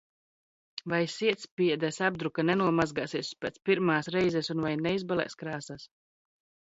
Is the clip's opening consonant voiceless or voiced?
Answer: voiced